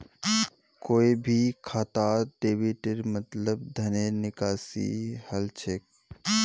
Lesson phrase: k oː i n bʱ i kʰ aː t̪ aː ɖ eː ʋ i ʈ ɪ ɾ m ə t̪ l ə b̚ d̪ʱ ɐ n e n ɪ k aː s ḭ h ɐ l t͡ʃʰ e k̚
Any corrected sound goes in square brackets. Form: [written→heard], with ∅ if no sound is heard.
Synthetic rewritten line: k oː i [n→∅] bʱ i kʰ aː t̪ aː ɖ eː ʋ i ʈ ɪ ɾ m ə t̪ l ə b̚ d̪ʱ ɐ n e n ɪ k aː s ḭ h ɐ l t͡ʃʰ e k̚